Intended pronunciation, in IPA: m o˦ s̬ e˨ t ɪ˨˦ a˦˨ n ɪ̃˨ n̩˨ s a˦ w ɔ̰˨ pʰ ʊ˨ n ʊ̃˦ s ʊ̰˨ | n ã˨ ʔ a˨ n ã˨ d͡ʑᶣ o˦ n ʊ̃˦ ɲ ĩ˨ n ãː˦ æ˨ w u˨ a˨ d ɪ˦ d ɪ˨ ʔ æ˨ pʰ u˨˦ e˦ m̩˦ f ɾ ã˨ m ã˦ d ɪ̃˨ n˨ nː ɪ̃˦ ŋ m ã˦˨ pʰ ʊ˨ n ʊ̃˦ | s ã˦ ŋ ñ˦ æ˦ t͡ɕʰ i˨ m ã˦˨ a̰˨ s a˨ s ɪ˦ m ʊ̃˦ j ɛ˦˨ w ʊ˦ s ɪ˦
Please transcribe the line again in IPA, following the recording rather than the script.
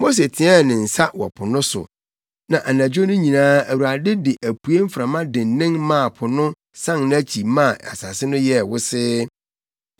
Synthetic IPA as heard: m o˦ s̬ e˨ tʰ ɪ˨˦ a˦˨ n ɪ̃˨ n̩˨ s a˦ w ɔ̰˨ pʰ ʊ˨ n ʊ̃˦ s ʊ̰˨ | n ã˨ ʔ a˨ n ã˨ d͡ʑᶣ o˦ n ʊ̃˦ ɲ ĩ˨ n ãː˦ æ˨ w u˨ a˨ d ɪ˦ d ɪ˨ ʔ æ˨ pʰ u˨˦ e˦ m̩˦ f ɾ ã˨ m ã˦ d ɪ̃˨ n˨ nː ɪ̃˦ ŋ m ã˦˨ pʰ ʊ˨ n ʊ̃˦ | s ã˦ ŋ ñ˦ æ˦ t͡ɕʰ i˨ m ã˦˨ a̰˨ s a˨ s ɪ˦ n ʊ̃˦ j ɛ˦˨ w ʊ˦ s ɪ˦

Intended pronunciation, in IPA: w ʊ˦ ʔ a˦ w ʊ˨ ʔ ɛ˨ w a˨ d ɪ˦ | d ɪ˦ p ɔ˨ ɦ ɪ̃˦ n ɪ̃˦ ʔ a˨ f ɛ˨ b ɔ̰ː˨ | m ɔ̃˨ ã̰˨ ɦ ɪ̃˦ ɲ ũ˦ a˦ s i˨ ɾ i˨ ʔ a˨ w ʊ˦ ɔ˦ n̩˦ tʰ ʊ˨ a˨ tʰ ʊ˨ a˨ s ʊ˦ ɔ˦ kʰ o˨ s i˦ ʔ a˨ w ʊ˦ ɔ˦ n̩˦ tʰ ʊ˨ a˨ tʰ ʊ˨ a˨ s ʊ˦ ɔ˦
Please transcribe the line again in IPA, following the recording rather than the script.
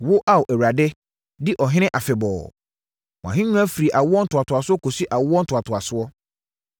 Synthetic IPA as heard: w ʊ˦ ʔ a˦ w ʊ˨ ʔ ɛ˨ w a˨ d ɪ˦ | d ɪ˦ ʔ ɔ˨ ɦ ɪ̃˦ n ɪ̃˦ ʔ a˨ f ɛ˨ b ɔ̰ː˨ | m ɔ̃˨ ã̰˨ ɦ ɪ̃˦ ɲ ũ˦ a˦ f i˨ ɾ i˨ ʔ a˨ w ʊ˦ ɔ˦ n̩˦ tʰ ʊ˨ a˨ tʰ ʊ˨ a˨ s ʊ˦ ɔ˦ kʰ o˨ s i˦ ʔ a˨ w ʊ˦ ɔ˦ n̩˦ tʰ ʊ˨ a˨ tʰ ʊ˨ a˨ s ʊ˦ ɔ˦

